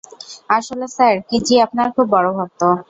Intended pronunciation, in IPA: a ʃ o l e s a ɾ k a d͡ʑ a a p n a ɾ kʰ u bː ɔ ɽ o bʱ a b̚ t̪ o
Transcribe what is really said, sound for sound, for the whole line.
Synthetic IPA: a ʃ o l e s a ɾ k i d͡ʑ i a p n a ɾ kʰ u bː ɔ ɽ o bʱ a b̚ t̪ o

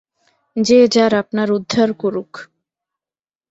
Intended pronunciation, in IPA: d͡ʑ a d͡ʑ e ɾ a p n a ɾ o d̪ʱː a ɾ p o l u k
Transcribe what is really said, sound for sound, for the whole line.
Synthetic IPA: d͡ʑ e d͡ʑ a ɾ a p n a ɾ u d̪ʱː a ɾ k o ɾ u k

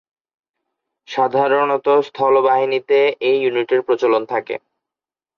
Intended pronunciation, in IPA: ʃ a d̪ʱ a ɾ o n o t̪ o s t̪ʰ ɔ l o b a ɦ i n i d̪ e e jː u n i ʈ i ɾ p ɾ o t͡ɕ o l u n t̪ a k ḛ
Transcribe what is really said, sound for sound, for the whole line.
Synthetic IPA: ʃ a d̪ʱ a ɾ o n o t̪ o s t̪ʰ ɔ l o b a ɦ i n i t̪ e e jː u n i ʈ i ɾ p ɾ o t͡ɕ o l o n t̪ʰ a k ḛ

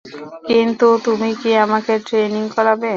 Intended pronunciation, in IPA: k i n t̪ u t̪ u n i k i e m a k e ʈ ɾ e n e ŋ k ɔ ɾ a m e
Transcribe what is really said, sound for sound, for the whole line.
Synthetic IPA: k i n t̪ u t̪ u m i k i a m a k e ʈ ɾ e n i ŋ k ɔ ɾ a b e

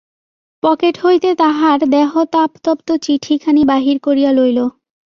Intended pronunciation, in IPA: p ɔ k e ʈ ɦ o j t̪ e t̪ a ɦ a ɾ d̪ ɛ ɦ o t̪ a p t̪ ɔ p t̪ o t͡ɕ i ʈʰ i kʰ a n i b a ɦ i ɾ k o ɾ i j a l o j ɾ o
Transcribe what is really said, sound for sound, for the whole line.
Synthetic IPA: p ɔ k e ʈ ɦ o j t̪ e t̪ a ɦ a ɾ d̪ ɛ ɦ o t̪ a p t̪ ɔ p t̪ o t͡ɕ i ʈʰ i kʰ a n i b a ɦ i ɾ k o ɾ i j a l o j l o

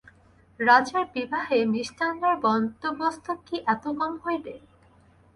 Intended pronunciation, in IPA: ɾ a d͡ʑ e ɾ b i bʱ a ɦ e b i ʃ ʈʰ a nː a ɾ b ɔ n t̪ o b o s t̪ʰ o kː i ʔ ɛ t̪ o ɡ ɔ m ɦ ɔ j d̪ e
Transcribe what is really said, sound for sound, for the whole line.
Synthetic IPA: ɾ a d͡ʑ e ɾ b i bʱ a ɦ e m i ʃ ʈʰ a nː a ɾ b ɔ n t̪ o b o s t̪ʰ o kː i ʔ ɛ t̪ o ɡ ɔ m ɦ o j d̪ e

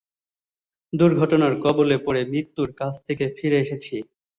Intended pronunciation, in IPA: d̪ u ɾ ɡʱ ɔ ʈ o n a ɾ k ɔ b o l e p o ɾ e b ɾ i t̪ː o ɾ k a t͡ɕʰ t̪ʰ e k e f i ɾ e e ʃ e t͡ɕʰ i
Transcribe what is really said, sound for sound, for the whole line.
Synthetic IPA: d̪ u ɾ ɡʱ ɔ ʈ o n a ɾ k ɔ b o l e p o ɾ e m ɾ i t̪ː u ɾ k a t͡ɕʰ t̪ʰ e k e f i ɾ e e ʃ e t͡ɕʰ i

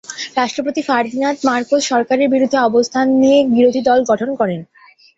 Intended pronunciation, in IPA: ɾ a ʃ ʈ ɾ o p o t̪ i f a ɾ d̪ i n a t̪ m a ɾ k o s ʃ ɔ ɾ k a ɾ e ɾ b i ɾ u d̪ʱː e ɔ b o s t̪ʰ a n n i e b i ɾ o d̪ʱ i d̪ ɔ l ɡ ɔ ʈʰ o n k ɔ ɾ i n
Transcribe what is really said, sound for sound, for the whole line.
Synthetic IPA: ɾ a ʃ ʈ ɾ o p o t̪ i f a ɾ d̪ i n a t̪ m a ɾ k o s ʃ ɔ ɾ k a ɾ e ɾ b i ɾ u d̪ʱː e ɔ b o s t̪ʰ a n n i e b i ɾ o d̪ʱ i d̪ ɔ l ɡ ɔ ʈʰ o n k ɔ ɾ e n

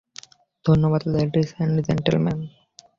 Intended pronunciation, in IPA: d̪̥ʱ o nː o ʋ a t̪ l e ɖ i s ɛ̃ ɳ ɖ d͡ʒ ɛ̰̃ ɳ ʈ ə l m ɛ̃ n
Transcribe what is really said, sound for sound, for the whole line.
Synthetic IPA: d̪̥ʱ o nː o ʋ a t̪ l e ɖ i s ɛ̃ ɳ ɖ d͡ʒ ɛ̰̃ ɳ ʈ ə l m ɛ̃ n

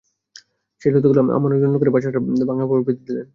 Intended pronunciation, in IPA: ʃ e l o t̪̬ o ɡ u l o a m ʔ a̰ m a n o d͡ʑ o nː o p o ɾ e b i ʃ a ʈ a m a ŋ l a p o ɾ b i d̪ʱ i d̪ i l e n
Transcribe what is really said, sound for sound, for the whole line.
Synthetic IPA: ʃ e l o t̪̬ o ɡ u l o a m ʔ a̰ m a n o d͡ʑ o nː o k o ɾ e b a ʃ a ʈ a b a ŋ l a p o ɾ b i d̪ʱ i d̪ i l e n

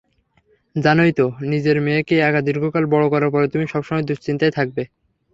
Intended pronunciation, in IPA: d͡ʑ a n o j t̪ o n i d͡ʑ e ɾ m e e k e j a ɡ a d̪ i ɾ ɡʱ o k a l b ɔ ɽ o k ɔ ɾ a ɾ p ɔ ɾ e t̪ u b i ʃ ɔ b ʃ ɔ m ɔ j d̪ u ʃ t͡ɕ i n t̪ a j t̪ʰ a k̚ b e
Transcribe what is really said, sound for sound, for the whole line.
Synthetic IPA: d͡ʑ a n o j t̪ o n i d͡ʑ e ɾ m e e k e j a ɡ a d̪ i ɾ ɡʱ o k a l b ɔ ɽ o k ɔ ɾ a ɾ p ɔ ɾ e t̪ u m i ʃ ɔ b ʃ ɔ m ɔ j d̪ u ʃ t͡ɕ i n t̪ a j t̪ʰ a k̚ b e

